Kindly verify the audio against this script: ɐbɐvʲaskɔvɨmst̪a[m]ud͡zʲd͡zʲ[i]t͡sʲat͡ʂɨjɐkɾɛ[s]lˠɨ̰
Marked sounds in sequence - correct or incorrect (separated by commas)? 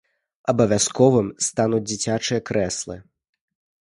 incorrect, correct, correct